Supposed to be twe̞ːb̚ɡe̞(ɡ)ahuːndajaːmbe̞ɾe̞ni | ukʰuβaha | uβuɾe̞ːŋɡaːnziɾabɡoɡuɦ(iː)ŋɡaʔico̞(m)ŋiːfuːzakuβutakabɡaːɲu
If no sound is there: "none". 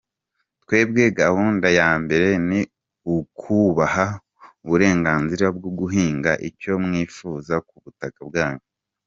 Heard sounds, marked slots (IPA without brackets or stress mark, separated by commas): ɡ, iː, m